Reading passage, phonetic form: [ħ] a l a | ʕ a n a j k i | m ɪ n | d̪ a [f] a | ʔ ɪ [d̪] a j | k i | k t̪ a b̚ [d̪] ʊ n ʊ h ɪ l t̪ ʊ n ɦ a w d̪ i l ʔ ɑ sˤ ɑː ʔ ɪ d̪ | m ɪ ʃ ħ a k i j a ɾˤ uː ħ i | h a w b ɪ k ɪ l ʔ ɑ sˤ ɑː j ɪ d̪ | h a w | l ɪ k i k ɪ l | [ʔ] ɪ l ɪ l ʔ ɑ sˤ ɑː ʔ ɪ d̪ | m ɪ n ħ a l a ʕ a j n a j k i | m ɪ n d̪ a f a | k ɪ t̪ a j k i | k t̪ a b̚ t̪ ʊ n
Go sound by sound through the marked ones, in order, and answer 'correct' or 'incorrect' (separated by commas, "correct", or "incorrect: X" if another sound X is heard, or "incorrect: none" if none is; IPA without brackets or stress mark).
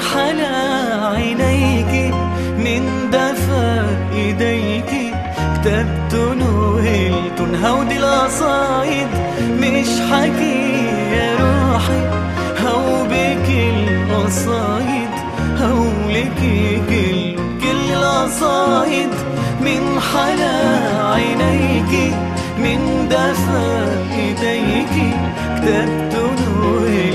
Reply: correct, correct, correct, incorrect: t̪, incorrect: k